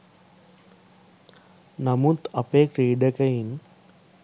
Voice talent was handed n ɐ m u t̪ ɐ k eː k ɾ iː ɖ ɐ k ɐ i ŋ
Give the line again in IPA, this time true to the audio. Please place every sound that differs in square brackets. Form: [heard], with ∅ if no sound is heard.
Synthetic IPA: n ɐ m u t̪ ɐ [p] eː k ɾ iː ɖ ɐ k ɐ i [n]